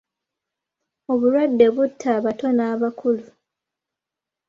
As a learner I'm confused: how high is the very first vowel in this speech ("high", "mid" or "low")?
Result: mid